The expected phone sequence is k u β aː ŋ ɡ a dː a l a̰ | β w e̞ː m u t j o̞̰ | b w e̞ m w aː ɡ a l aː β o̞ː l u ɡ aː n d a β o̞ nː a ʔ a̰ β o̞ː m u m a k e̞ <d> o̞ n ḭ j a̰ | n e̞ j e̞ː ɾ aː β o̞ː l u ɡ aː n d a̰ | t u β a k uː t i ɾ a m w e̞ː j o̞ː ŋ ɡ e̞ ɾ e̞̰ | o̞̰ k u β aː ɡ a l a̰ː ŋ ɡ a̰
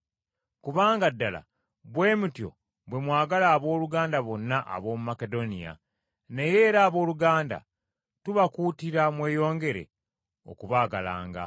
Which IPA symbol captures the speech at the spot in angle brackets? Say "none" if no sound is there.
d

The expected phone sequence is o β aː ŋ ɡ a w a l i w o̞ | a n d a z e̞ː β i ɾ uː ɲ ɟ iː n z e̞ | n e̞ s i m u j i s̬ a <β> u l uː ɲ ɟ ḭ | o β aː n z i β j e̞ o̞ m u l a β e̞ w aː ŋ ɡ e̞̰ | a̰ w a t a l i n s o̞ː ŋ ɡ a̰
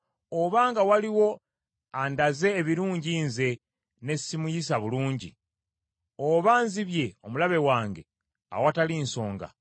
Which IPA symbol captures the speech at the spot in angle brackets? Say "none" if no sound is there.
β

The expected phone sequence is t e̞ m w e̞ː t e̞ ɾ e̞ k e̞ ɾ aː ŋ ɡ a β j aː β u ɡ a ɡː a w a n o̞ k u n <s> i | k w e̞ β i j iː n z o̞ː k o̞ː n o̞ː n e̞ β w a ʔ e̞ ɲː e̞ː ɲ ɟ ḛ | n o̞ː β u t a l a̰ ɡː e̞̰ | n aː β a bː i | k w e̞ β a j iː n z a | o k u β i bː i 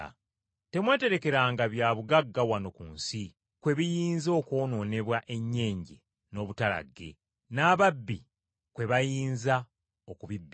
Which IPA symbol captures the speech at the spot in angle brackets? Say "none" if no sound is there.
s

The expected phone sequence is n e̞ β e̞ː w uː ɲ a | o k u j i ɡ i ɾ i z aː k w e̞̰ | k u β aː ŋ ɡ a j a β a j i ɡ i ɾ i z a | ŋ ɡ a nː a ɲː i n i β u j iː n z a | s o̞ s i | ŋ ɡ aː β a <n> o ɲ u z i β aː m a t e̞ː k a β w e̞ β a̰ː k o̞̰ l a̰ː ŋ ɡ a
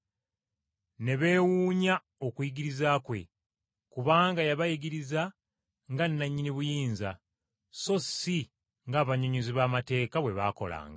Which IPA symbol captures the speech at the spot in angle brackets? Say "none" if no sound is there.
ɲ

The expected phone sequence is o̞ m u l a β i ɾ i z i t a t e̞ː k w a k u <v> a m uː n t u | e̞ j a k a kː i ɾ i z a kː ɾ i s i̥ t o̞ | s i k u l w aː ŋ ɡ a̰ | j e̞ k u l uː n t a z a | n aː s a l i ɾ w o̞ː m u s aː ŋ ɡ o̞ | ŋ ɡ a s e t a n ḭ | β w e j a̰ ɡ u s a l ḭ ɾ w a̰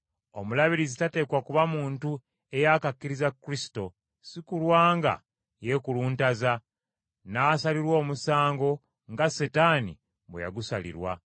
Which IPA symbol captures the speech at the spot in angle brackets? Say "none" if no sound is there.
β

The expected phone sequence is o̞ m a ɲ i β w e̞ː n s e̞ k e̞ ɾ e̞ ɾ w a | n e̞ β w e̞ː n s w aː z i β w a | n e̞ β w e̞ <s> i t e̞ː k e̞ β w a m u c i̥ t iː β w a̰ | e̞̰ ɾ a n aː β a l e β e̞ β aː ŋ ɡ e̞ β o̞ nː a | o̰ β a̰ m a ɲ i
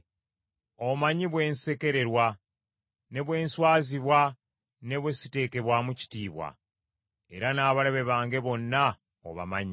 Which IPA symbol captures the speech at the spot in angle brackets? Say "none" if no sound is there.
s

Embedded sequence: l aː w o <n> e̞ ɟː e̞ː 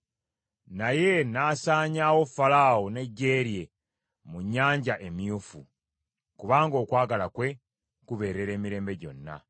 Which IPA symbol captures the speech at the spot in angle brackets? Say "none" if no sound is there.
n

